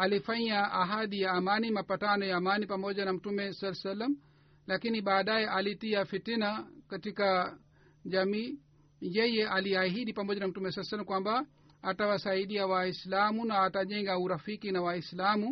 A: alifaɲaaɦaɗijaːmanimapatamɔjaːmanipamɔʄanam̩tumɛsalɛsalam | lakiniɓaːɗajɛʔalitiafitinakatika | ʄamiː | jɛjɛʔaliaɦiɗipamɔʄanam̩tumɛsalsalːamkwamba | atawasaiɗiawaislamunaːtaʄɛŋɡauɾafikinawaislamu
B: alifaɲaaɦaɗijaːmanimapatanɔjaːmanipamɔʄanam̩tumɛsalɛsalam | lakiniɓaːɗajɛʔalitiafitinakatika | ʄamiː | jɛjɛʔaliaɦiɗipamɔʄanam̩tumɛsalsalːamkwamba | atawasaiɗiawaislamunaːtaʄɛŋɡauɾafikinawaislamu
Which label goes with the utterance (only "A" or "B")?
B